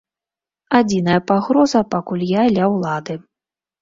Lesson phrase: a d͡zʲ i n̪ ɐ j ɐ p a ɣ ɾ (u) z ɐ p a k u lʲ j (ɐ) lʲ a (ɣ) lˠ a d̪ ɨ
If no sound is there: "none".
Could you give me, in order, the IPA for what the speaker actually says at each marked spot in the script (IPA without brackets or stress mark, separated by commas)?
ɔ, a, w